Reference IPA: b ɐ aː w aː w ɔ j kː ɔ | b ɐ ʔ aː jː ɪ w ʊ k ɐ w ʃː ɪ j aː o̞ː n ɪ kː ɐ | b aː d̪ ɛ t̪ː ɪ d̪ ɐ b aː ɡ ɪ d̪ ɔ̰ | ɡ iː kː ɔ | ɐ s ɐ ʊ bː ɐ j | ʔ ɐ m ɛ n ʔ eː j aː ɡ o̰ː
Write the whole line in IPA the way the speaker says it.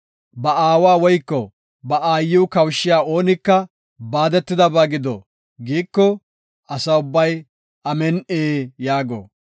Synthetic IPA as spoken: b ɐ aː w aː w ɔ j kː ɔ | b ɐ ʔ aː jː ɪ w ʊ k ɐ w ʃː ɪ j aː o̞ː n ɪ kː ɐ | b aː d̪ ɛ t̪ː ɪ d̪ ɐ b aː ɡ ɪ d̪ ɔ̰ | ɡ iː kː ɔ | ɐ s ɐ ʊ bː ɐ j | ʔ ɐ m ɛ n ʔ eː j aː ɡ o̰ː